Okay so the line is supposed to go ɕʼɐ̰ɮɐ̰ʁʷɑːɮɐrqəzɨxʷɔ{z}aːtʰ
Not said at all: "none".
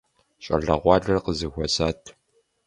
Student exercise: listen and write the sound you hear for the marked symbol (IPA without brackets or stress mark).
s